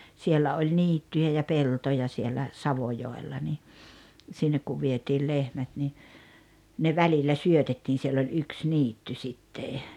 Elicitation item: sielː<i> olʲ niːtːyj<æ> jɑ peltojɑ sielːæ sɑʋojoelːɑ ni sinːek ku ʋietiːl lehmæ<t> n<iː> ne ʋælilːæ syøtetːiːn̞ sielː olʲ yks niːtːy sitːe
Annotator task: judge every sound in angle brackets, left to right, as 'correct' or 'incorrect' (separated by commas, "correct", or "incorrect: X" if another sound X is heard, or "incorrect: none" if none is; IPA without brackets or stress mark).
incorrect: æ, correct, correct, incorrect: i